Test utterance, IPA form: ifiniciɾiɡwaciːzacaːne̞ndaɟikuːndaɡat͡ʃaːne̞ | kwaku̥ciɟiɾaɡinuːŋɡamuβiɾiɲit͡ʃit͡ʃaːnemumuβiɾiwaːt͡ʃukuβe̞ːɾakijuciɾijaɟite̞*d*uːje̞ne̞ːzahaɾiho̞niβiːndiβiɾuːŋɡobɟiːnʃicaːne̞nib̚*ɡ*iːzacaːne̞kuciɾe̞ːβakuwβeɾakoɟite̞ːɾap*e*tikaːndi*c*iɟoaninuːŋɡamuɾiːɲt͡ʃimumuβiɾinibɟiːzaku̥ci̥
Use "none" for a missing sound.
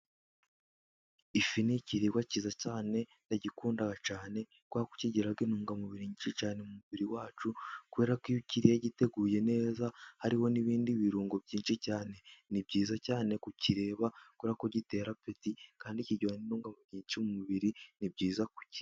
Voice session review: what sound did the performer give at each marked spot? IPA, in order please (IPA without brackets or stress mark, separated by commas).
ɡ, ɟ, e, c